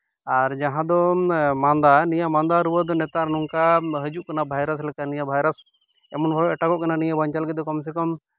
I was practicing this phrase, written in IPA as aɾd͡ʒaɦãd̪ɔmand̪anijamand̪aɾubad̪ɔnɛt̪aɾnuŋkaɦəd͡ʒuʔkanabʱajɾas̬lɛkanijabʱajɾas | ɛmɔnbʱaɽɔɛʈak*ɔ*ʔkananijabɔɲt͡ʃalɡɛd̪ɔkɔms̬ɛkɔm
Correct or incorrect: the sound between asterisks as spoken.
correct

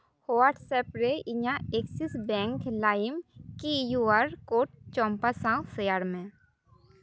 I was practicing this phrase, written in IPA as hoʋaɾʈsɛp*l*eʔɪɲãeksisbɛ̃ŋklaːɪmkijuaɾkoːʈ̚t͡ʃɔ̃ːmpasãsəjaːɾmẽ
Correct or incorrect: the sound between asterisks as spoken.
incorrect: ɾ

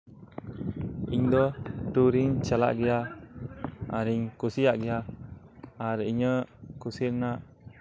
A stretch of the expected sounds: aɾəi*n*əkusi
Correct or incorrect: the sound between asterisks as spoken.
incorrect: ɲ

